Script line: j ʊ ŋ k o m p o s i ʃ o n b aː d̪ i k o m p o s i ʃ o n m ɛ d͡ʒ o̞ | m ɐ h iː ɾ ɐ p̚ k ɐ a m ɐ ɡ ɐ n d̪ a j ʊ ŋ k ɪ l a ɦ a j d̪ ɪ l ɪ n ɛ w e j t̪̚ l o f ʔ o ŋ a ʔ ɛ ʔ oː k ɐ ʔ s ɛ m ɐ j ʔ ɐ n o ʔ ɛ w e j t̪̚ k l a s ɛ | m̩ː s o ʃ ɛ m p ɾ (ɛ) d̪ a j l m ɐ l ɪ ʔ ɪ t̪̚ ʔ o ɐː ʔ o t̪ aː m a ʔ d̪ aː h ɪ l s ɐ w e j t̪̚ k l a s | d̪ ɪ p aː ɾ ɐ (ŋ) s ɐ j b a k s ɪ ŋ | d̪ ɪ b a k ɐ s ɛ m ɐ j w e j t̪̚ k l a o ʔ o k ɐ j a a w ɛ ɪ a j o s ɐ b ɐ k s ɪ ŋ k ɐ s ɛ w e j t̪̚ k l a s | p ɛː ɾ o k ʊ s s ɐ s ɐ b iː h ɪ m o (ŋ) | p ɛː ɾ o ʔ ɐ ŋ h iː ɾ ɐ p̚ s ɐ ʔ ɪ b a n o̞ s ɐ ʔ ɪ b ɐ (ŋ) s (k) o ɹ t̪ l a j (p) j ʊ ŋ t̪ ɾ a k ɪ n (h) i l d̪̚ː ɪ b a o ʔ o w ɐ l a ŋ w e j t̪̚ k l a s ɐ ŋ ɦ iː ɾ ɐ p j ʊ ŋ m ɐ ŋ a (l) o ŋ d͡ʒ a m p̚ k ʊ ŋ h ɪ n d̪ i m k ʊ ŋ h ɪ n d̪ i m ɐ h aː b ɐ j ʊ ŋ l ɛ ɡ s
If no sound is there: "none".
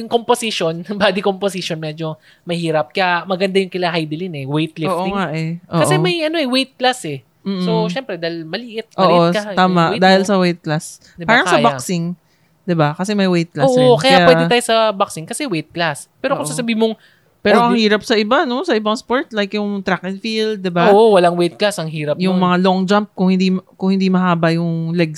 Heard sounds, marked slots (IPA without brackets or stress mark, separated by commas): ɛ, ŋ, ŋ, ŋ, p, k, f, l